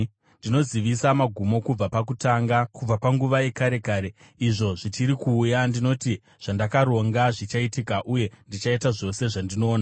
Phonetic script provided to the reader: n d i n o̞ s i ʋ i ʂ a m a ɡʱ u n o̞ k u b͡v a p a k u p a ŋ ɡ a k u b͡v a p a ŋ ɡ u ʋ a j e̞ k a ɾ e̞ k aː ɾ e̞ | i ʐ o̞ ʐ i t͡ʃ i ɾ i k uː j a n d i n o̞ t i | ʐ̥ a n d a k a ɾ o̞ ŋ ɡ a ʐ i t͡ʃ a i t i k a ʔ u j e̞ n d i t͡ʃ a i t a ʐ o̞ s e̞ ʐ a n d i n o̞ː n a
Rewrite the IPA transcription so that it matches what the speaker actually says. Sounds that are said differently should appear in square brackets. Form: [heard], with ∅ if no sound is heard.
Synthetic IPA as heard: n d i n o̞ [z] i ʋ i [s] a m a ɡʱ u [m] o̞ k u b͡v a p a k u [t] a ŋ ɡ a k u b͡v a p a ŋ ɡ u ʋ a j e̞ k a ɾ e̞ k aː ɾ e̞ | i ʐ o̞ ʐ i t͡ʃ i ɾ i k uː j a n d i n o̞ t i | ʐ̥ a n d a k a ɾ o̞ ŋ ɡ a ʐ i t͡ʃ a i t i k a ʔ u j e̞ n d i t͡ʃ a i t a ʐ o̞ s e̞ ʐ a n d i n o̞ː n a